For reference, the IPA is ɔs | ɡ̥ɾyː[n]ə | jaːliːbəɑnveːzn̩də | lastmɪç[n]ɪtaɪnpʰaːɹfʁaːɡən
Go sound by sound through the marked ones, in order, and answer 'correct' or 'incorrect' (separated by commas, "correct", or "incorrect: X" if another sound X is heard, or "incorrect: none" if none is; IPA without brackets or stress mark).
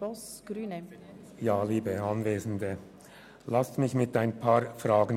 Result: correct, incorrect: m